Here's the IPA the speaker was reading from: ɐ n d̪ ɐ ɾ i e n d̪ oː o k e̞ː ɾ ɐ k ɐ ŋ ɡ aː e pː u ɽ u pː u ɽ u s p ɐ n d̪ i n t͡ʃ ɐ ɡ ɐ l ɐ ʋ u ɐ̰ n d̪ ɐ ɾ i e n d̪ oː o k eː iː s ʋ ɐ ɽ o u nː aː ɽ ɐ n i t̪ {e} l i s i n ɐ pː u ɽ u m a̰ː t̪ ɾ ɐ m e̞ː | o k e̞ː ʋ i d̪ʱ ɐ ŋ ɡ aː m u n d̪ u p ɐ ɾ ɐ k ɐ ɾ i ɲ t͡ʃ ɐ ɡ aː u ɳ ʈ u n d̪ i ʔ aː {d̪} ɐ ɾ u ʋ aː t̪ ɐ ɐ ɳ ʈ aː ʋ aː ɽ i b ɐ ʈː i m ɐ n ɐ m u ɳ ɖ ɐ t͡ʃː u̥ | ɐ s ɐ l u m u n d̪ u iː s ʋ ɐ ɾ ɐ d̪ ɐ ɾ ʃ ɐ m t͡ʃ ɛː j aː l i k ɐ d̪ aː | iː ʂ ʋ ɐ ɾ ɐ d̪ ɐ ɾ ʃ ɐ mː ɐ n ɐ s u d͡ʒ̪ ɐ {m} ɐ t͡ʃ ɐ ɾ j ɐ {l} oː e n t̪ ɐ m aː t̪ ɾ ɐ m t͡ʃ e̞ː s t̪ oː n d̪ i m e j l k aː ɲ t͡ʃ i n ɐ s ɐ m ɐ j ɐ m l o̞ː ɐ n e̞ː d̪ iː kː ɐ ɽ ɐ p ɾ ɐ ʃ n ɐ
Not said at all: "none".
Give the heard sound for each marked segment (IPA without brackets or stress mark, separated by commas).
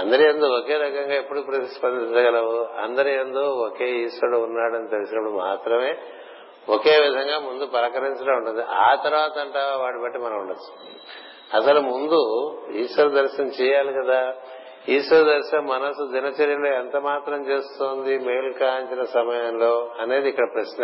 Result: e, t̪, n, l